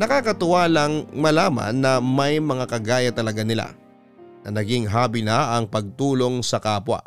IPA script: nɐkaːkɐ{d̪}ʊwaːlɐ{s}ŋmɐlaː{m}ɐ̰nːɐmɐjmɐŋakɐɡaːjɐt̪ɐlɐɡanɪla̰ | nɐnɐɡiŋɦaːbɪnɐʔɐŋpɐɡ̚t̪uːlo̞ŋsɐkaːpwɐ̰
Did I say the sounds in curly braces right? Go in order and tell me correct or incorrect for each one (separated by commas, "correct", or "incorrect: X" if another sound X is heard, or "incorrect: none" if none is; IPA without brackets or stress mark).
incorrect: t̪, incorrect: none, correct